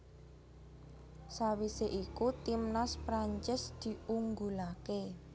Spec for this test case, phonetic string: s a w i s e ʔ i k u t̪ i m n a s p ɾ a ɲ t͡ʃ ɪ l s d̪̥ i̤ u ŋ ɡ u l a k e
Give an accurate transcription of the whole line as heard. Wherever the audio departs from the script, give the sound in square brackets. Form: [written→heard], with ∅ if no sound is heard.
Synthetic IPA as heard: s a w i s e ʔ i k u t̪ i m n a s p ɾ a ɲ t͡ʃ ɪ [l→∅] s d̪̥ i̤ u ŋ ɡ u l a k e